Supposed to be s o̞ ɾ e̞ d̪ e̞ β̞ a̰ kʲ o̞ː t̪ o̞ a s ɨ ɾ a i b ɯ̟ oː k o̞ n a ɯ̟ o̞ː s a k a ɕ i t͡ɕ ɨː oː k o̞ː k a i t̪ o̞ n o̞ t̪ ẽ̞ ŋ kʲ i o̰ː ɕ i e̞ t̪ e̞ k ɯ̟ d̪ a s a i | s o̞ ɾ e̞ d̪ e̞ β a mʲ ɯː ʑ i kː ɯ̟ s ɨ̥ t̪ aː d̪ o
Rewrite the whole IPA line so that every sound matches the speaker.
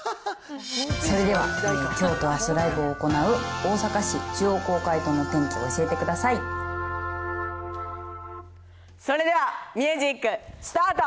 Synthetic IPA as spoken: s o̞ ɾ e̞ d̪ e̞ β̞ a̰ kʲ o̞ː t̪ o̞ a s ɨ ɾ a i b ɯ̟ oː k o̞ n a ɯ̟ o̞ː s a k a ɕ i t͡ɕ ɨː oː k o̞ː k a i t̪ o̞ n o̞ t̪ ẽ̞ ŋ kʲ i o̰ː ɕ i e̞ t̪ e̞ k ɯ̟ d̪ a s a i | s o̞ ɾ e̞ d̪ e̞ β a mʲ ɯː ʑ i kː ɯ̟ s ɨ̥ t̪ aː t̪ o